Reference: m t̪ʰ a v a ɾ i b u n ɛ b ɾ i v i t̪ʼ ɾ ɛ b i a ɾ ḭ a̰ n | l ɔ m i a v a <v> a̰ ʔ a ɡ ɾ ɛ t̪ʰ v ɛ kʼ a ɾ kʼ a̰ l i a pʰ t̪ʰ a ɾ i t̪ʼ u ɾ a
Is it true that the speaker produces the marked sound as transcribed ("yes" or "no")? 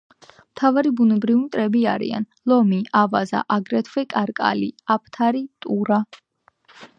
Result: no